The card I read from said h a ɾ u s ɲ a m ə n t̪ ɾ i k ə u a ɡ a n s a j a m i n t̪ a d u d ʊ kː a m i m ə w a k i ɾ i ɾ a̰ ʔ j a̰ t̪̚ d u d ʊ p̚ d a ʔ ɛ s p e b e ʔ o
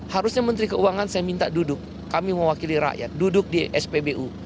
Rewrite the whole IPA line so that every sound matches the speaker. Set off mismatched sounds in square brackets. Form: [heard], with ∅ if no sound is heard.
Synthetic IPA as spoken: h a ɾ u s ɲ a m ə n t̪ ɾ i k ə u a [ŋ] a n s a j a m i n t̪ a d u d ʊ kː a m i m ə w a k i [l] i ɾ a̰ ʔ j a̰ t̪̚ d u d ʊ [k̚] d [i] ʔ ɛ s p e b e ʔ [u]